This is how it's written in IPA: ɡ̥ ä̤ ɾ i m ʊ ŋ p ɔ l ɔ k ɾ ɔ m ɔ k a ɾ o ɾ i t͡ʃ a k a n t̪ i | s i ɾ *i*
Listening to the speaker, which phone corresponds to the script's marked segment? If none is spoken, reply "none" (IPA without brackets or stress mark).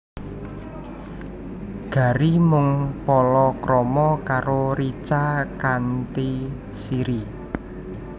i